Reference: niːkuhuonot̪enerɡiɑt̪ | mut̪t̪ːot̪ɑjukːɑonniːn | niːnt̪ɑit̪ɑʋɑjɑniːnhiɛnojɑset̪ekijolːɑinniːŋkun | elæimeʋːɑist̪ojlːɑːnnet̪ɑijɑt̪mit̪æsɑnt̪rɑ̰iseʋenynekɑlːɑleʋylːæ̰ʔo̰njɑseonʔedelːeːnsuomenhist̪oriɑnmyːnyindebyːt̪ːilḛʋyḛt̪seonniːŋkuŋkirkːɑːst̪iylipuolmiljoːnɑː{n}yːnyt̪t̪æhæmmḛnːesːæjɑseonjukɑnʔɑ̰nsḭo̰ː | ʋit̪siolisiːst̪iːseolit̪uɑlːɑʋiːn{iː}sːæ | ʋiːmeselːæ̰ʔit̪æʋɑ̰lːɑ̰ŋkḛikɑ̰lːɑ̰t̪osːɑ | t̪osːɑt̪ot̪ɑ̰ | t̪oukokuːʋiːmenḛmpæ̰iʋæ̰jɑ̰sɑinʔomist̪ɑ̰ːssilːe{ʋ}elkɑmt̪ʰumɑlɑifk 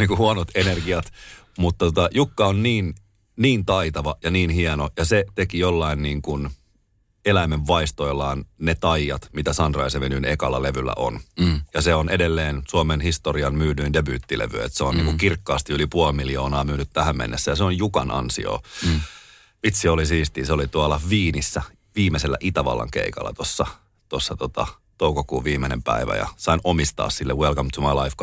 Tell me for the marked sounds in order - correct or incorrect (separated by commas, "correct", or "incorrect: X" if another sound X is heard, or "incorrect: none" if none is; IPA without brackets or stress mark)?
incorrect: m, incorrect: i, incorrect: w